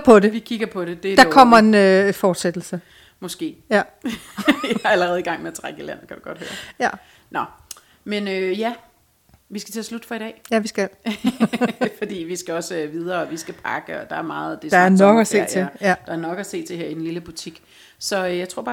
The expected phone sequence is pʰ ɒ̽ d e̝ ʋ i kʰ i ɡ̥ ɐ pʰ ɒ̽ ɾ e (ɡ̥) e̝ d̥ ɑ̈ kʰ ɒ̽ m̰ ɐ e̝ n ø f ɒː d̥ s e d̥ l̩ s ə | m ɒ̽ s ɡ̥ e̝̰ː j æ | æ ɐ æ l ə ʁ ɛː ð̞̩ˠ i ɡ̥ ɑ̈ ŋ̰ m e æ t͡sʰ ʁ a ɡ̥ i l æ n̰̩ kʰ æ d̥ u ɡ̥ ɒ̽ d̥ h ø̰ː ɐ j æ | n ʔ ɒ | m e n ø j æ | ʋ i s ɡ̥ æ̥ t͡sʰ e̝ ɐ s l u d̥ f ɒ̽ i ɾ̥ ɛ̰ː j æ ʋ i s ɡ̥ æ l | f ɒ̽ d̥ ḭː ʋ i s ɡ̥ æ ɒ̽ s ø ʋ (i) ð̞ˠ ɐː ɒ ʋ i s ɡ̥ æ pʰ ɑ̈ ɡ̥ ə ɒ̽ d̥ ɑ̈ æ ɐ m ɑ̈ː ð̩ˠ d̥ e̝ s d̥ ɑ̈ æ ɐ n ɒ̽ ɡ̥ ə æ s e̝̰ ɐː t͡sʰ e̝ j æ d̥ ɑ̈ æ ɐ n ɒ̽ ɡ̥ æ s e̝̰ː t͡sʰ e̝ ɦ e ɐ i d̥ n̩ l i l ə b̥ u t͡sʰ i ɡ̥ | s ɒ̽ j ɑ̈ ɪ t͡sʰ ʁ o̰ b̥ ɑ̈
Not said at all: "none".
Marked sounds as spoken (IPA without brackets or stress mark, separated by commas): d̥, i